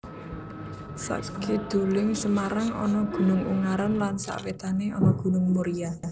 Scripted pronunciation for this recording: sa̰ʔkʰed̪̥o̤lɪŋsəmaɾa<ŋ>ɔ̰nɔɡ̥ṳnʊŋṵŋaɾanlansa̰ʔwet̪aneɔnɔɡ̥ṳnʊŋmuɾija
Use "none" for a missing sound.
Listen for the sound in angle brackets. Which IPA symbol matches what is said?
ŋ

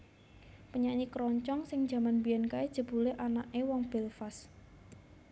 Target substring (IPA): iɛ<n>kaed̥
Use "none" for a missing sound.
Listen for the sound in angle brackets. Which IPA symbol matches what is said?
n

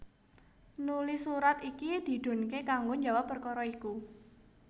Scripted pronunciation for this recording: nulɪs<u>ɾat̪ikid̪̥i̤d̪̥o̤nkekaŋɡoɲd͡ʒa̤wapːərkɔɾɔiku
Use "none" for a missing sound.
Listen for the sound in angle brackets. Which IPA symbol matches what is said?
u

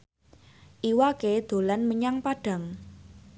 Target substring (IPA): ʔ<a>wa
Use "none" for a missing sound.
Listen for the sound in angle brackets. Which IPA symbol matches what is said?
i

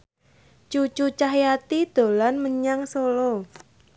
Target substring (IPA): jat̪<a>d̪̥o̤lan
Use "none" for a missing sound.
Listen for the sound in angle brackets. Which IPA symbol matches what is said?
i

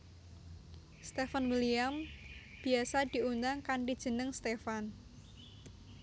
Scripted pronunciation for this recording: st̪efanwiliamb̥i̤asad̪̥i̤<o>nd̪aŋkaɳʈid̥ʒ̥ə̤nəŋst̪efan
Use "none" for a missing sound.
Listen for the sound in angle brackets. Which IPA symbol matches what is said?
u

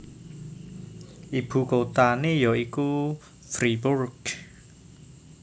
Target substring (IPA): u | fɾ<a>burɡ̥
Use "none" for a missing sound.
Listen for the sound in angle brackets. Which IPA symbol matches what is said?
i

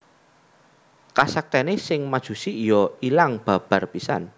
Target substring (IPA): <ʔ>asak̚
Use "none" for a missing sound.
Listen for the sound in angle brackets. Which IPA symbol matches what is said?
k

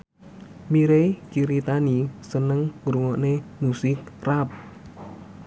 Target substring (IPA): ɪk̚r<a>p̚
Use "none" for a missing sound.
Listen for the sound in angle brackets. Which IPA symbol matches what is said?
a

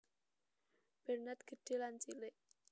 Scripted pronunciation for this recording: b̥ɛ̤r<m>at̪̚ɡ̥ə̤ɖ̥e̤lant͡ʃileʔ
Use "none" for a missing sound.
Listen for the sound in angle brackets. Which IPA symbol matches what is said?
n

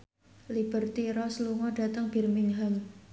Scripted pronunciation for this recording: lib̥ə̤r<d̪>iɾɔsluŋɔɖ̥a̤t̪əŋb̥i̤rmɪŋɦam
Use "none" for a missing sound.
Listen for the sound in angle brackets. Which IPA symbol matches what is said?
t̪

